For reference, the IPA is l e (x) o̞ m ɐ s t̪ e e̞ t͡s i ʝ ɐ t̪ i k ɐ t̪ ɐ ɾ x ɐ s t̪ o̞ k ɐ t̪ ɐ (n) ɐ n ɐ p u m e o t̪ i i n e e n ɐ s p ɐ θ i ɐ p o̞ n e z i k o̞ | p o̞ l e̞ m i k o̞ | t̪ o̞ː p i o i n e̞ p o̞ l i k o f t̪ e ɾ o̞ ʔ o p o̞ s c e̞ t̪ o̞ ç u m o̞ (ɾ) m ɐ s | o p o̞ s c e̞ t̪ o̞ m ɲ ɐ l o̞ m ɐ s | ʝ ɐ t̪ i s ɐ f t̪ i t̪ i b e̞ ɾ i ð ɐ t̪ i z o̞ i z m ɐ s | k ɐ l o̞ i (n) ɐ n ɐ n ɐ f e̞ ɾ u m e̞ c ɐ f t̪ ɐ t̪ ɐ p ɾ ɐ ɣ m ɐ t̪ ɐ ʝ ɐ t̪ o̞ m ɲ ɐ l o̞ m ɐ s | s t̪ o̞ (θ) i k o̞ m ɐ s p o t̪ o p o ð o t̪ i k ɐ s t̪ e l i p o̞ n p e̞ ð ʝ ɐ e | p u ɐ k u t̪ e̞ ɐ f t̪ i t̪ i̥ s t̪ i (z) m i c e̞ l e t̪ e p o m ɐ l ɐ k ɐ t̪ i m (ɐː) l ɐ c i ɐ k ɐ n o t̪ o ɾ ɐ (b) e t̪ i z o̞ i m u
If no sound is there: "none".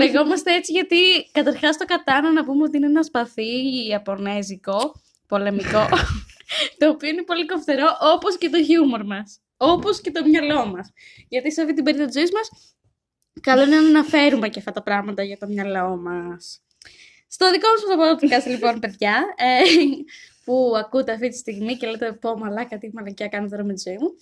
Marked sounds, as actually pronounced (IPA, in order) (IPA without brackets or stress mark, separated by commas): ɣ, n, ɾ, n, ð, ɣ, ɐ, m